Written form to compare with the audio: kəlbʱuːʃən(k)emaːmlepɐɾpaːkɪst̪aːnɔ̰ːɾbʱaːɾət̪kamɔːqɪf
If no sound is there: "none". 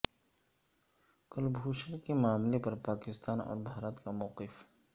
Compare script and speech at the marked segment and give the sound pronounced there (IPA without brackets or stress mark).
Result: k